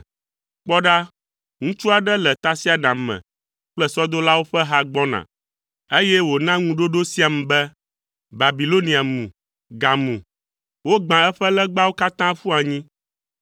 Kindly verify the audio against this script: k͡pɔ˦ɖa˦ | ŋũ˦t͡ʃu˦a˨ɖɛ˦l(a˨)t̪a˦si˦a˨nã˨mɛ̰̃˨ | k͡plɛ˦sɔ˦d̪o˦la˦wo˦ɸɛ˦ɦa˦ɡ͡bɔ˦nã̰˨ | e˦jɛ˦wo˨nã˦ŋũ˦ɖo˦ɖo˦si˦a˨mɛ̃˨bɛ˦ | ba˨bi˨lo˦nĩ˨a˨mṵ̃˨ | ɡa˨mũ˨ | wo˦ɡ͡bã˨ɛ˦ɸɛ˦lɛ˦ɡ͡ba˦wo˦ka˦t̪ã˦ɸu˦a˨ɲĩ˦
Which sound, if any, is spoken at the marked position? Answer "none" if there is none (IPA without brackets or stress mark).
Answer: ɛ˨